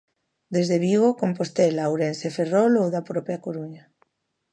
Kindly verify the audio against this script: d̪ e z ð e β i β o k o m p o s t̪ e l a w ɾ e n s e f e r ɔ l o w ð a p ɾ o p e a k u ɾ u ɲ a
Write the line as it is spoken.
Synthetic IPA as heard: d̪ e z ð e β i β o k o m p o s t̪ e l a w ɾ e n s e f e r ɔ l o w ð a p ɾ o p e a k o ɾ u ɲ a